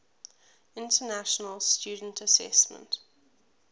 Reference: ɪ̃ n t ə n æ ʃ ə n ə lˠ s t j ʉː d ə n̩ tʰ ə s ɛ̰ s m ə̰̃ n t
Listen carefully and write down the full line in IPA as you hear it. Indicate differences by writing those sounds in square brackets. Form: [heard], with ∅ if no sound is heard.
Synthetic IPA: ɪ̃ n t ə n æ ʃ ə n ə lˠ s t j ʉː d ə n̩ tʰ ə s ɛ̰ s m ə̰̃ n t